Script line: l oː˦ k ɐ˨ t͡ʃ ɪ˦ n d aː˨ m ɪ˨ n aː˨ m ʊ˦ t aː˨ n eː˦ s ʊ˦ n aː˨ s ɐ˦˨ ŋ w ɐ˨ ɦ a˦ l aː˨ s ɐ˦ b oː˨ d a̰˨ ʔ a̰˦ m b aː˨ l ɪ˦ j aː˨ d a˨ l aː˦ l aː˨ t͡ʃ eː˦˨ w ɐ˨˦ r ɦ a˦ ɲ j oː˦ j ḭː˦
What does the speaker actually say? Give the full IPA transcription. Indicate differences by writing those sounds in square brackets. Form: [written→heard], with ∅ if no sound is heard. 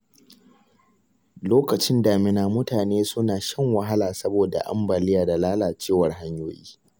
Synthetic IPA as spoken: l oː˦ k ɐ˨ t͡ʃ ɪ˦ n d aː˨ m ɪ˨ n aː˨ m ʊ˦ t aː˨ n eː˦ s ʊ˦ n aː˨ [s→ʃ] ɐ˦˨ ŋ w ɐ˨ ɦ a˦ l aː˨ s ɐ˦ b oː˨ d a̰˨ ʔ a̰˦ m b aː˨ l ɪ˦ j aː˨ d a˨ l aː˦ l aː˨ t͡ʃ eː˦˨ w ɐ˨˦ r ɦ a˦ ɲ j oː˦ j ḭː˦